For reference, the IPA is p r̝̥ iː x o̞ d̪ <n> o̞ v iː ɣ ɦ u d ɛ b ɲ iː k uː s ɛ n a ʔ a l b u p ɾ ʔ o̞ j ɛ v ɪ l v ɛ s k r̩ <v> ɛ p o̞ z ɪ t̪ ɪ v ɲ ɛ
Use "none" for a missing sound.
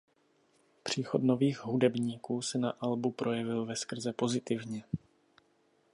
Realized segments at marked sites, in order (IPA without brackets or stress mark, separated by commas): n, z